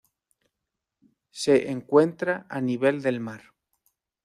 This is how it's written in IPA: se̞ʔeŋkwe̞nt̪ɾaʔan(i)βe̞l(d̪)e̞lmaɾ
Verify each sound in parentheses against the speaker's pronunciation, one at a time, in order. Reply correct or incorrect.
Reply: correct, correct

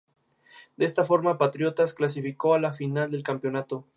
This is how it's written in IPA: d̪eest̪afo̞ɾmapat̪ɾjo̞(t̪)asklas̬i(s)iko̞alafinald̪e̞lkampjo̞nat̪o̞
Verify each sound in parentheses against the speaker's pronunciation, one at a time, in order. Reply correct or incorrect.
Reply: correct, incorrect

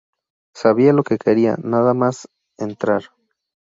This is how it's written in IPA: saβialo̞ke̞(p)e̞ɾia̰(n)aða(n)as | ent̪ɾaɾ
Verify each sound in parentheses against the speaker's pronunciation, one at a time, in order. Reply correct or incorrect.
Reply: incorrect, correct, incorrect

